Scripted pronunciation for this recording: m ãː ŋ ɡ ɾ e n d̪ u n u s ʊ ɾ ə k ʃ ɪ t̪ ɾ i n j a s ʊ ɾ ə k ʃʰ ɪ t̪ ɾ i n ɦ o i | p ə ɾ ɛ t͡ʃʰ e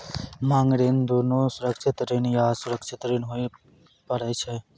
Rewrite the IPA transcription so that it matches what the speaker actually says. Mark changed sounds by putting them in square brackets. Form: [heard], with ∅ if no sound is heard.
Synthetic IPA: m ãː ŋ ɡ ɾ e n d̪ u n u s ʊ ɾ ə k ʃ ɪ t̪ ɾ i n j a s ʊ ɾ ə k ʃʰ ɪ t̪ ɾ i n ɦ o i | p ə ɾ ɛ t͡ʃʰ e